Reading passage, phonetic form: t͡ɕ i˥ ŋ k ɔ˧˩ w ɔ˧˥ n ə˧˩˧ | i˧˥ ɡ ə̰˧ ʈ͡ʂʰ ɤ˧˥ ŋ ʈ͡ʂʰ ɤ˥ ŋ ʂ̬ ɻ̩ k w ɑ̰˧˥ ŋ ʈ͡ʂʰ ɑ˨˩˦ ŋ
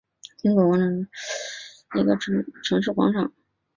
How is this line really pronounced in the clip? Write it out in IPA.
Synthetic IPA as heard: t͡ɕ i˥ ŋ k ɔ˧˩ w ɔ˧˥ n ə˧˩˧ | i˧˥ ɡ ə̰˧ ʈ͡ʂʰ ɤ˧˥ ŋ ʈ͡ʂʰ ɤ˧˥ ŋ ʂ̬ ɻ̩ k w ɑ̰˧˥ ŋ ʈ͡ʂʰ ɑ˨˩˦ ŋ